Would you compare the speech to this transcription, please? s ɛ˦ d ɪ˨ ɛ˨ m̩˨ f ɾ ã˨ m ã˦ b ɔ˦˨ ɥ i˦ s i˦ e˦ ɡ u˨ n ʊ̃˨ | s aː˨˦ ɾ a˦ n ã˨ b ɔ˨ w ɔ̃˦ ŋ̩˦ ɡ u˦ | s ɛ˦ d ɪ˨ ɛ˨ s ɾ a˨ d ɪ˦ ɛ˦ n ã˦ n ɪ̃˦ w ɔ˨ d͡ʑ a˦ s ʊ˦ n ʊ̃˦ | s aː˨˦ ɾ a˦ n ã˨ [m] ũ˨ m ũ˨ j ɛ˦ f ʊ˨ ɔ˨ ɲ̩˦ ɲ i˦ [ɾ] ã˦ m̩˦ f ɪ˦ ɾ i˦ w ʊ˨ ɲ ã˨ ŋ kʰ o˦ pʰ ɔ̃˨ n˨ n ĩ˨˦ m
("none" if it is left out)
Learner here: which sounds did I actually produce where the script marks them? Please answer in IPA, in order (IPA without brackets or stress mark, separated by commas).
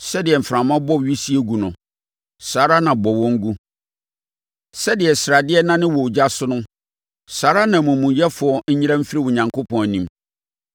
m, ɾ